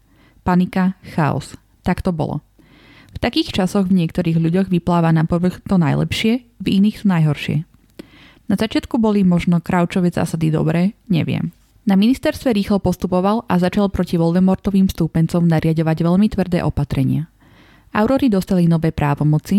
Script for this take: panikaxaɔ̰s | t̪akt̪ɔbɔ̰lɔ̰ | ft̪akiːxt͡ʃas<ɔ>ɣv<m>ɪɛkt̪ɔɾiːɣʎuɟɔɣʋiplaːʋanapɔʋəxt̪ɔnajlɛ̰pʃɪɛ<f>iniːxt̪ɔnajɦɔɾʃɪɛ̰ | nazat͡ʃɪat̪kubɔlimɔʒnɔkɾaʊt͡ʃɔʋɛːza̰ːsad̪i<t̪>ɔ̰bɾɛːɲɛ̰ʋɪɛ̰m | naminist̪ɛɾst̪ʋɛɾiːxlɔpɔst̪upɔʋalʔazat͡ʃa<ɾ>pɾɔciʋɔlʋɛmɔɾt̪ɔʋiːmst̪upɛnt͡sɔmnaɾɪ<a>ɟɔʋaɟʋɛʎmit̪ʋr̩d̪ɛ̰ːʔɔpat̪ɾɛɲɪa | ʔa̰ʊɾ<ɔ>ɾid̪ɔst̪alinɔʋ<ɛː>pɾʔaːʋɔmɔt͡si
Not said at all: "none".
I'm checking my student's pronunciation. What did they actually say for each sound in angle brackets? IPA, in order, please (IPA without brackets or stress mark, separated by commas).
ɔ, ɲ, v, d̪, l, a, ɔ, ɛː